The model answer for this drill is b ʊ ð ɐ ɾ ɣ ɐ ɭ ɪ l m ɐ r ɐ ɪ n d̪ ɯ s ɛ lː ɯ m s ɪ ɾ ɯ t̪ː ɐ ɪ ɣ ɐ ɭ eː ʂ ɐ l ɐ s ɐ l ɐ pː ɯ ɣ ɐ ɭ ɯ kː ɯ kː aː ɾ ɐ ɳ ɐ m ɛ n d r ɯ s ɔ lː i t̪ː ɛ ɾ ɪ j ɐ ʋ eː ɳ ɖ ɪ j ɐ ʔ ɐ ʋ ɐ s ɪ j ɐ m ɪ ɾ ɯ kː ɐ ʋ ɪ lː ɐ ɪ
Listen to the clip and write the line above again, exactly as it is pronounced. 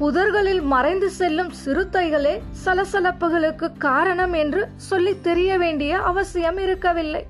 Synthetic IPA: p ʊ ð ɐ ɾ ɣ ɐ ɭ ɪ l m ɐ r ɐ ɪ n d̪ ɯ s ɛ lː ɯ m s ɪ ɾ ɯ t̪ː ɐ ɪ ɣ ɐ ɭ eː s ɐ l ɐ s ɐ l ɐ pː ɯ ɣ ɐ ɭ ɯ kː ɯ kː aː ɾ ɐ ɳ ɐ m ɛ n d r ɯ s ɔ lː i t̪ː ɛ ɾ ɪ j ɐ ʋ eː ɳ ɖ ɪ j ɐ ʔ ɐ ʋ ɐ s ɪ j ɐ m ɪ ɾ ɯ kː ɐ ʋ ɪ lː ɐ ɪ